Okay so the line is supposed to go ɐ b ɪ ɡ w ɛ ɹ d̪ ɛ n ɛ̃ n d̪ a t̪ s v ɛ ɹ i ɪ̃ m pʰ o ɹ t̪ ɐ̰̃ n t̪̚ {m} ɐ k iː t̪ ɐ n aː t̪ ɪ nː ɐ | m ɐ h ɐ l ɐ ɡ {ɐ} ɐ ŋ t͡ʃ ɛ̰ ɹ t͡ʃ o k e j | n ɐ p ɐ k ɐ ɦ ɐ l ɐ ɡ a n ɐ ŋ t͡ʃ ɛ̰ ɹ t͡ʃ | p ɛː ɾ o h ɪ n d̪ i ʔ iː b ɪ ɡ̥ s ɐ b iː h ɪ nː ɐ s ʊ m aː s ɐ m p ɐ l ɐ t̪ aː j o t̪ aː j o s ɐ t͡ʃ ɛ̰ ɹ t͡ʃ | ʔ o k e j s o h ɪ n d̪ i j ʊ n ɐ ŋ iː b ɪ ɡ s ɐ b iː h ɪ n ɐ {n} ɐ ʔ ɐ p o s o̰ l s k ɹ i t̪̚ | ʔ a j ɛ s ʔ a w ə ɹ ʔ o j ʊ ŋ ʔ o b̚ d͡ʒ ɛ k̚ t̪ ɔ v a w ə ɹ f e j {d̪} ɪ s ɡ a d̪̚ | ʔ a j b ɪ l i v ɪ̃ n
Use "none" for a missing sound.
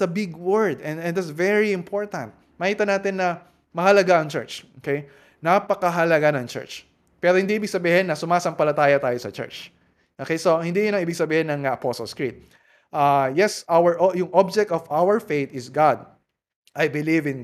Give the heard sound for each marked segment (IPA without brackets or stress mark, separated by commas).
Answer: m, a, ŋ, t̪